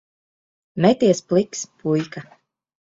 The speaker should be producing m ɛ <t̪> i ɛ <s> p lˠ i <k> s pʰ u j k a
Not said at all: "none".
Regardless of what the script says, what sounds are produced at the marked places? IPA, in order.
t̪, s, k

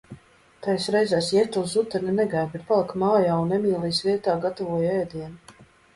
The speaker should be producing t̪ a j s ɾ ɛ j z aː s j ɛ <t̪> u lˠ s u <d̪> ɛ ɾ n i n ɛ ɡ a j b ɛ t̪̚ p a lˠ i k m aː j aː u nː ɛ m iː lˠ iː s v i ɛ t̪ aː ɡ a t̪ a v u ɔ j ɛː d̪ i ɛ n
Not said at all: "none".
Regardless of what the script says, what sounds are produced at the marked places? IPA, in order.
t̪, t̪

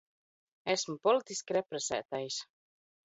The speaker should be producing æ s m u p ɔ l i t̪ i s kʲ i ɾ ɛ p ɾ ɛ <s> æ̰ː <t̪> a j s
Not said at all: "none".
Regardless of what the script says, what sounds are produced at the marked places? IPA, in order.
s, t̪

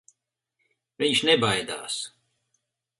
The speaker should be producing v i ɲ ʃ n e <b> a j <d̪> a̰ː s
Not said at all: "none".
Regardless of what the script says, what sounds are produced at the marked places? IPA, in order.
b, d̪

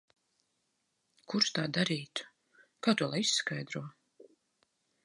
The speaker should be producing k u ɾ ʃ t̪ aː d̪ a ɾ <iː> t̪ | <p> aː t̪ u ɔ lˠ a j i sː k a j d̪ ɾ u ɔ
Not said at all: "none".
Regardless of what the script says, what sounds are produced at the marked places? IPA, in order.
iː, k

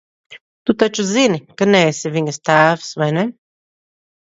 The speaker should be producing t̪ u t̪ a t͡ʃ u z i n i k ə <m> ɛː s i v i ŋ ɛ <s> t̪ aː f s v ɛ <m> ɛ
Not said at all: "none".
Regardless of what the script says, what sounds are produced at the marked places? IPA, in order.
n, s, n

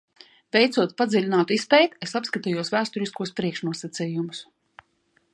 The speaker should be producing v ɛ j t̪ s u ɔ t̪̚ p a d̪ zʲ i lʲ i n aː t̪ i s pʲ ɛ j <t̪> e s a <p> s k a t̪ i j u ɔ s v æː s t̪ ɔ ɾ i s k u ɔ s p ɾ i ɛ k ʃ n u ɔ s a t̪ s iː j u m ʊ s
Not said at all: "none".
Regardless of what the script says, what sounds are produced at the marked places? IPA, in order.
t̪, p

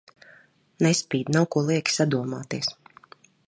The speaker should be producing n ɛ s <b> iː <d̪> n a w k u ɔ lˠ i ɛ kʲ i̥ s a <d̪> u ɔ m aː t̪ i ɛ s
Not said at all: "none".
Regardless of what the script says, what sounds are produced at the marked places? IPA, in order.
p, d̪, d̪

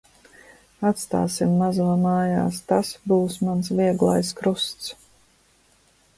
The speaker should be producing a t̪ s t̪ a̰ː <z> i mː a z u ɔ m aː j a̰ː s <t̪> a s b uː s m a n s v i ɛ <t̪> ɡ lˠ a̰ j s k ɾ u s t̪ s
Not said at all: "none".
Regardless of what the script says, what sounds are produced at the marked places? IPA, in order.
s, t̪, none

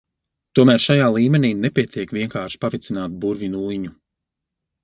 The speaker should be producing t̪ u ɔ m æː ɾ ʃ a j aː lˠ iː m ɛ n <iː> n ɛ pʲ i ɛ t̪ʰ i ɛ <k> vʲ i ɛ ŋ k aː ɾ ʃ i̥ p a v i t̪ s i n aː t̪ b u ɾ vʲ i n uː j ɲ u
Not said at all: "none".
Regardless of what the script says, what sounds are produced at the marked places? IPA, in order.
iː, k

